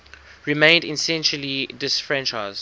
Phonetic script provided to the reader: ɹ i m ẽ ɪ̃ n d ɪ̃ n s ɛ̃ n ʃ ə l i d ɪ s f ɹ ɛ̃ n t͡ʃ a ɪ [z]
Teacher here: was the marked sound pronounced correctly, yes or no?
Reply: yes